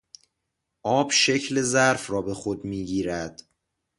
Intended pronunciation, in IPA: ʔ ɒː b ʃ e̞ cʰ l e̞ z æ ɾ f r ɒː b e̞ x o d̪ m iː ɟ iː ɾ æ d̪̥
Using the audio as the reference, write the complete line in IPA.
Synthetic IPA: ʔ ɒː b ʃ e̞ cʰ l e̞ z æ ɾ f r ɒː b e̞ x o d̪ m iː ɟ iː ɾ æ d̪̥